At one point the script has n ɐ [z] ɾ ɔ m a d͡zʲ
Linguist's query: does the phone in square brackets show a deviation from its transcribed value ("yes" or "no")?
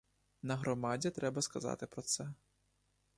yes